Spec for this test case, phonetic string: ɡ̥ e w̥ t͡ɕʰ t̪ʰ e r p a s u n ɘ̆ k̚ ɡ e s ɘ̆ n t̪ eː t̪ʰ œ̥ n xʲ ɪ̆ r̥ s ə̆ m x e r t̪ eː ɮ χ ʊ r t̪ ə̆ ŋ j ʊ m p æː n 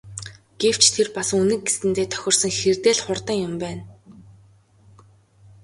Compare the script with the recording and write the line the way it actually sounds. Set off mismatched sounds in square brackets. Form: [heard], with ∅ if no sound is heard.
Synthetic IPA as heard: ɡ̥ e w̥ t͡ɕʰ t̪ʰ e r p a s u n ɘ̆ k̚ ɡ e s ɘ̆ n t̪ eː t̪ʰ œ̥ [∅] xʲ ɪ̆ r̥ s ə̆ [ŋ] x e r t̪ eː ɮ χ ʊ r t̪ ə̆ ŋ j ʊ m p æː n